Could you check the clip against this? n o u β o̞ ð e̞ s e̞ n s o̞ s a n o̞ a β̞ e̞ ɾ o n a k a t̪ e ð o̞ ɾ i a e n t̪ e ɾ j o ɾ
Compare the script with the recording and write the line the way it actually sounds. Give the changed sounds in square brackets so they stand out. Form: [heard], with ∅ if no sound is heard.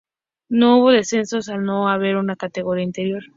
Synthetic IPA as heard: n o u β o̞ ð e̞ s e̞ n s o̞ s a n o̞ a β̞ e̞ ɾ [u] n a k a t̪ e [ɣ] o̞ ɾ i a [i] n t̪ e ɾ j o ɾ

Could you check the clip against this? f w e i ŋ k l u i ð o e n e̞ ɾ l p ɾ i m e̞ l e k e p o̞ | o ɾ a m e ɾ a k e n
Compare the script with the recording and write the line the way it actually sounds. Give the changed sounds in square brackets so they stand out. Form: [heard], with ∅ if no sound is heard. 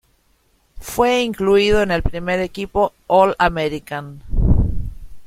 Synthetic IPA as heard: f w e i ŋ k l u i ð o e n e̞ [∅] l p ɾ i m e̞ [ɾ] e k [i] p o̞ | o [l] a m e ɾ [i] k [a] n

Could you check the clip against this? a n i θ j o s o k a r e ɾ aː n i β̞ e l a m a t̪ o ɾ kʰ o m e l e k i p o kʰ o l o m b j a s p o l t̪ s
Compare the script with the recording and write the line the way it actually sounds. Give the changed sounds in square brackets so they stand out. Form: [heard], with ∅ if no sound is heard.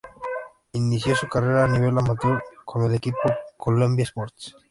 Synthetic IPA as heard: [i] n i θ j o s [u] k a r e ɾ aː n i β̞ e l a m a t̪ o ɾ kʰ o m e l e k i p o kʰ o l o m b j a s p o [ɾ] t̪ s

